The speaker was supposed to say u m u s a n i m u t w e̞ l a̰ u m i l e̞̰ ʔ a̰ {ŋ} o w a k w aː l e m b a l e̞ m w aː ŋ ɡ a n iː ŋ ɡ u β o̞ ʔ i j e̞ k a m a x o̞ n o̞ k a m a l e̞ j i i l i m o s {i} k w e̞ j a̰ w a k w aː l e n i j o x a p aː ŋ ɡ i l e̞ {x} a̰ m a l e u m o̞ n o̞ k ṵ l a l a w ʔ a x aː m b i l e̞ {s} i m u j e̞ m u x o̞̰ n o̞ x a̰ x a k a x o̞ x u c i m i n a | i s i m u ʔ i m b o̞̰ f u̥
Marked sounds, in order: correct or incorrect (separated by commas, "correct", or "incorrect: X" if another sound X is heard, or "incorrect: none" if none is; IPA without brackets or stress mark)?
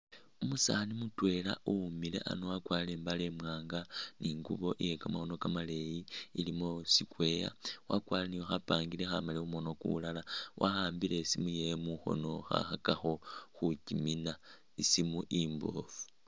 incorrect: n, correct, correct, correct